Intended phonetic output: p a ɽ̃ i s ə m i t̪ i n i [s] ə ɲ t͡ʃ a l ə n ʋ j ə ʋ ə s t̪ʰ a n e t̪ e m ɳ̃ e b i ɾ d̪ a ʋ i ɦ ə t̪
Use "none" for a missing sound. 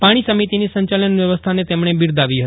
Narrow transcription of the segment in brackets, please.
s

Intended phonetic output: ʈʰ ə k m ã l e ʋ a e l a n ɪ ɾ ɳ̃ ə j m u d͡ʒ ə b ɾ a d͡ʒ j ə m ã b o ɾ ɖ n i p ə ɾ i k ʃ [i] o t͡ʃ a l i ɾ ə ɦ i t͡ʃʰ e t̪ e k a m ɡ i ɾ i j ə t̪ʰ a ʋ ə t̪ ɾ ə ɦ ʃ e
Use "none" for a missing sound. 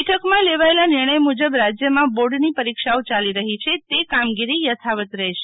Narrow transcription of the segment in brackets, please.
a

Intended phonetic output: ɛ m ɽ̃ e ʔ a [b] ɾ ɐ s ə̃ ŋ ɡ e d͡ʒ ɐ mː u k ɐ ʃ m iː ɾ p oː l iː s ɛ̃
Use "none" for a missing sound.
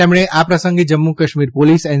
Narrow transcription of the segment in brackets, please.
p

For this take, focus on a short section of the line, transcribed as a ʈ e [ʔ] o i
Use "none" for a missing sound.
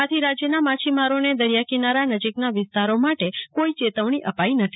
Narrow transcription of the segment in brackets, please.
k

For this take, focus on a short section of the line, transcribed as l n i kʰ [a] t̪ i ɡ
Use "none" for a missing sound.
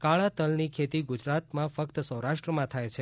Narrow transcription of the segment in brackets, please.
e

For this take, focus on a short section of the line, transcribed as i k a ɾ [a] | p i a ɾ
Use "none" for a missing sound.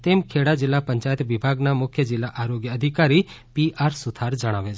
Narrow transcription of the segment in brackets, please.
i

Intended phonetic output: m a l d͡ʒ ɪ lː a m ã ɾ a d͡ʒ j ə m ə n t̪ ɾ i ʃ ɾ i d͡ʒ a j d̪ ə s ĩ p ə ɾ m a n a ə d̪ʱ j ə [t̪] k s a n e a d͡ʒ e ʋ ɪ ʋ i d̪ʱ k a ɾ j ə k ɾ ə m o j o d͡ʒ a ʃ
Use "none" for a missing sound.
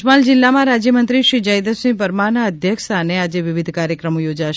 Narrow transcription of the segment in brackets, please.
none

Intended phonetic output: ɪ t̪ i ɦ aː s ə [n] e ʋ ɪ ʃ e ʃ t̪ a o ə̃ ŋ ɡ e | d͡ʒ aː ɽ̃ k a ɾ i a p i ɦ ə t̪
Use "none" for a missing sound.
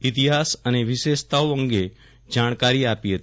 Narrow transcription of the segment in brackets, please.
n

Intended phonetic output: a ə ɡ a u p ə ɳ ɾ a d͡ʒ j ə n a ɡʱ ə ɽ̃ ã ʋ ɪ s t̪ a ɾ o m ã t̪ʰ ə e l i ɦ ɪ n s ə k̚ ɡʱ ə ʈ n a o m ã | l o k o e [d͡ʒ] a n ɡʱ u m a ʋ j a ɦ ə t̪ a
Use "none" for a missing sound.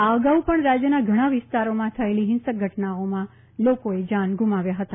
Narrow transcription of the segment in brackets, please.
d͡ʒ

